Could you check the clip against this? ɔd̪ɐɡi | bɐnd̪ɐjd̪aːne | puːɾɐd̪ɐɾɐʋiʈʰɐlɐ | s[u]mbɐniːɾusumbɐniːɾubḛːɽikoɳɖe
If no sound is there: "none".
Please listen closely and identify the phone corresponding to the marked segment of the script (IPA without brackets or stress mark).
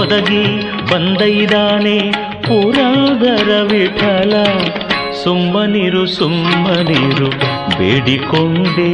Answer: u